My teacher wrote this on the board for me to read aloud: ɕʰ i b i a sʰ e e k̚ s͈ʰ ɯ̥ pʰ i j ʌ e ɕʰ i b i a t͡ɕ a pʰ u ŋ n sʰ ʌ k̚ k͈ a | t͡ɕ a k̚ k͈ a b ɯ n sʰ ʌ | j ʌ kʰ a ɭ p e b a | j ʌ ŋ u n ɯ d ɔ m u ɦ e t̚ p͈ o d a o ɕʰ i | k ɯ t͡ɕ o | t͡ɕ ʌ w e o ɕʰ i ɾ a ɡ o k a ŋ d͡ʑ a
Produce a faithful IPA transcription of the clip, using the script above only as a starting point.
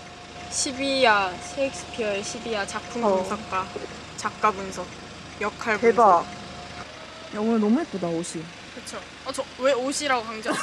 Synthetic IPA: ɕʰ i b i a sʰ e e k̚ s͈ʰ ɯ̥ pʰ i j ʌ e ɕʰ i b i a t͡ɕ a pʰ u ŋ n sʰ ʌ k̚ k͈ a | t͡ɕ a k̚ k͈ a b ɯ n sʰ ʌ | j ʌ kʰ a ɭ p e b a | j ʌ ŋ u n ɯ n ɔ m u ɦ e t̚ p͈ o d a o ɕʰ i | k ɯ t͡ɕʰ o | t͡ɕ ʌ w e o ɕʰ i ɾ a ɡ o k a ŋ d͡ʑ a

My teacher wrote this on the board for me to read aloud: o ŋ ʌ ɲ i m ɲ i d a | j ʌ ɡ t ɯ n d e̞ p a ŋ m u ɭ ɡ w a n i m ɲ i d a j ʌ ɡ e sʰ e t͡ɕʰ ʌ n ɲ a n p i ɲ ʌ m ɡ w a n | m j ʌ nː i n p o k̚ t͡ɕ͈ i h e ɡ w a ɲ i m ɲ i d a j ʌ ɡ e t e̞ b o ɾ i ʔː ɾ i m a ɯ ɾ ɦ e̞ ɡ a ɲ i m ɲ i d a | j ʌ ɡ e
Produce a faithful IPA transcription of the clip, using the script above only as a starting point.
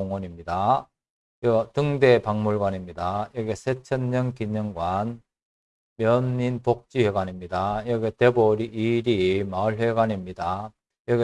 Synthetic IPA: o ŋ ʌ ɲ i m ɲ i d a | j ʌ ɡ t ɯ ŋ d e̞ p a ŋ m u ɭ ɡ w a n i m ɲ i d a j ʌ ɡ e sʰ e t͡ɕʰ ʌ n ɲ ʌ n k i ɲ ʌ ŋ ɡ w a n | m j ʌ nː i n p o k̚ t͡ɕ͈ i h e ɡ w a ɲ i m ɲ i d a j ʌ ɡ e t e̞ b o ɾ i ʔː ɾ i m a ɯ ɭ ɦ e̞ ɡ a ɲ i m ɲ i d a | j ʌ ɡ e

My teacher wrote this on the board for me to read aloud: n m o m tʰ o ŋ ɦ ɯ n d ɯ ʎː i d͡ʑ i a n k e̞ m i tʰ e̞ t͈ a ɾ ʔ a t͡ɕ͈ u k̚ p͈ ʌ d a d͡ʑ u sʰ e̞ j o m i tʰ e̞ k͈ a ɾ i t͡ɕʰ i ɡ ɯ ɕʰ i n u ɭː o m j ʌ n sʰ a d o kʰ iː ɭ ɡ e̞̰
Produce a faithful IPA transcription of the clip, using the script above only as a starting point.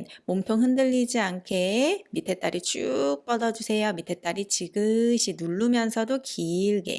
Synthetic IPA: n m o m tʰ o ŋ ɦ ɯ n d ɯ ʎː i d͡ʑ i a n kʰ e̞ m i tʰ e̞ t͈ a ɾ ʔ i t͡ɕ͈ u k̚ p͈ ʌ d ʌ d͡ʑ u sʰ e̞ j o m i tʰ e̞ t͈ a ɾ i t͡ɕ i ɡ ɯ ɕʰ i n u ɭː u m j ʌ n sʰ ʌ d o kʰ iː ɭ ɡ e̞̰

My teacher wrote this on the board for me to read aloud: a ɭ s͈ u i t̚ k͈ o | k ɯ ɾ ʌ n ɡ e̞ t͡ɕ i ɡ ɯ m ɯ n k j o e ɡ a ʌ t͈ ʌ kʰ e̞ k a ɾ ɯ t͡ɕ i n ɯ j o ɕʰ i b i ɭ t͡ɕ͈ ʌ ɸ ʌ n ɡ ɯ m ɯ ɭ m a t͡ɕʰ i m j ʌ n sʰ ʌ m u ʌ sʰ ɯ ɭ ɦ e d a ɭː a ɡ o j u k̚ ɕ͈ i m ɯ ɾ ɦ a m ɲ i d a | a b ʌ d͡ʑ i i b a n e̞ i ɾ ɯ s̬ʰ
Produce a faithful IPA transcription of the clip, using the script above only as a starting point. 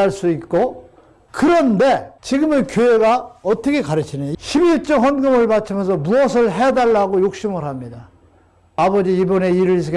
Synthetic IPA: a ɭ s͈ u i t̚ k͈ o | k ɯ ɾ ʌ n d e̞ t͡ɕ i ɡ ɯ m ɯ n k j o e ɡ a ʌ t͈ ʌ kʰ e̞ k a ɾ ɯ t͡ɕʰ i n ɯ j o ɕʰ i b i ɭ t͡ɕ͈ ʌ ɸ ʌ n ɡ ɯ m ɯ ɭ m a t͡ɕʰ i m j ʌ n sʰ ʌ m u ʌ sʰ ɯ ɭ ɦ e d a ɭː a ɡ o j o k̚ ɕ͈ i m ɯ ɾ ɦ a m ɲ i d a | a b ʌ d͡ʑ i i b ʌ n e̞ i ɾ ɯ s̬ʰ

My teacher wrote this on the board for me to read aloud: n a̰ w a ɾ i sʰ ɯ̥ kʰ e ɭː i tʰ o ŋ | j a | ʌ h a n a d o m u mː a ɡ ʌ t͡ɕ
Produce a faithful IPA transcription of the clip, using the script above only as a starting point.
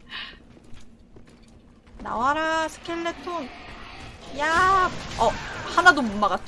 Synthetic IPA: n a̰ w a ɾ a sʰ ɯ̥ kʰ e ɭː e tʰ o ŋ | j a | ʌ h a n a d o m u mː a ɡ a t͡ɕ

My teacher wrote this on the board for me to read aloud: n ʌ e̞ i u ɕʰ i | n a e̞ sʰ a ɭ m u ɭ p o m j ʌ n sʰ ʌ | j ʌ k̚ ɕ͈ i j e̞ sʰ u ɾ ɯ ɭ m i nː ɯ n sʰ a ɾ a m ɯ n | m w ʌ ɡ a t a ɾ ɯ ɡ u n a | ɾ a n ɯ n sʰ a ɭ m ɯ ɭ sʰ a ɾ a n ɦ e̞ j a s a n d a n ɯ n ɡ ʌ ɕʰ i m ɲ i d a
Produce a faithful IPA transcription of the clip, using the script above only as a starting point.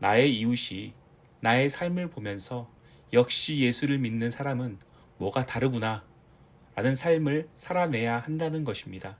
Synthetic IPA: n a e̞ i u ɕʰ i | n a e̞ sʰ a ɭ m ɯ ɭ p o m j ʌ n sʰ ʌ | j ʌ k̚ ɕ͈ i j e̞ sʰ u ɾ ɯ ɭ m i nː ɯ n sʰ a ɾ a m ɯ n | m w ʌ ɡ a t a ɾ ɯ ɡ u n a | ɾ a n ɯ n sʰ a ɭ m ɯ ɭ sʰ a ɾ a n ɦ e̞ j a h a n d a n ɯ n ɡ ʌ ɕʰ i m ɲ i d a

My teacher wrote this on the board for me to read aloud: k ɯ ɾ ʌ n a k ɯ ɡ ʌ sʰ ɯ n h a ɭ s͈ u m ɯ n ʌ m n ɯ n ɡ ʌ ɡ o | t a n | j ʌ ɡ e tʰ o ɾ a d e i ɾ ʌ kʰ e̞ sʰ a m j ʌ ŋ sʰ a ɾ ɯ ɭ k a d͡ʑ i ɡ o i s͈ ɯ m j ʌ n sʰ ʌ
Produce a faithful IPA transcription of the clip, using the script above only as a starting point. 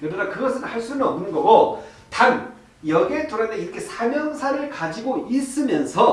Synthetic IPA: k ɯ ɾ ʌ n a k ɯ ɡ ʌ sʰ ɯ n h a ɭ s͈ u n ɯ n ʌ m n ɯ n ɡ ʌ ɡ o | t a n | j ʌ ɡ e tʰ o ɾ a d e i ɾ ʌ kʰ e̞ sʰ a m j ʌ ŋ sʰ a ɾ ɯ ɭ k a d͡ʑ i ɡ o i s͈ ɯ m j ʌ n sʰ ʌ

